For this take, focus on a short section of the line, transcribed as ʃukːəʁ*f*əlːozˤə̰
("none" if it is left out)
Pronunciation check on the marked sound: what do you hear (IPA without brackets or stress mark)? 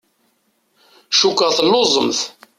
θ